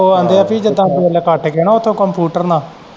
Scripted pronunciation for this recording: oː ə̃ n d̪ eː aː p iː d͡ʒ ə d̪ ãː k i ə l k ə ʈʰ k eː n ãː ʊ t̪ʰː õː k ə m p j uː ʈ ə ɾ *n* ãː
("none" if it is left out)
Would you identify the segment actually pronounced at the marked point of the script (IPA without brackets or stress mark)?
n